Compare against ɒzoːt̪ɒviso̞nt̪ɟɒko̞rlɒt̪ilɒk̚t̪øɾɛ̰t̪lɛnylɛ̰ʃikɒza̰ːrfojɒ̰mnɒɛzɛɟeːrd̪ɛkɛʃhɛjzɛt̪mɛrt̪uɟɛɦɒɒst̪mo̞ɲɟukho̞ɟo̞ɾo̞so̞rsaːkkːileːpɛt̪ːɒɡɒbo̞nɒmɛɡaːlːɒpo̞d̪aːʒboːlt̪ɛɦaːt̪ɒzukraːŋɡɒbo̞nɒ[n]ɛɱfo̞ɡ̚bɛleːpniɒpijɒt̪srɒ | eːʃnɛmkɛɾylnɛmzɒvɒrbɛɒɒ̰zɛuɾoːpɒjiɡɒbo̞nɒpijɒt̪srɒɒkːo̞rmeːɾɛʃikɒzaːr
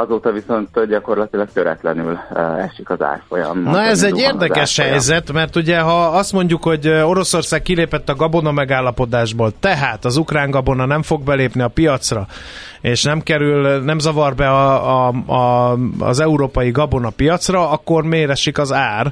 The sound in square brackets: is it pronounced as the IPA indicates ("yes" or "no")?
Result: yes